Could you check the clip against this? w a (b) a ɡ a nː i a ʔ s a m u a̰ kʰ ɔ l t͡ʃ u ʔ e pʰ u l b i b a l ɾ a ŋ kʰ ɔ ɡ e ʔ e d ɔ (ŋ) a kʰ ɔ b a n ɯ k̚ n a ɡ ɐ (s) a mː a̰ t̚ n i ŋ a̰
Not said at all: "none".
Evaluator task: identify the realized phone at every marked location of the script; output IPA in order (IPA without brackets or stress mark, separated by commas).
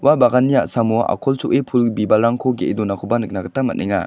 b, n, t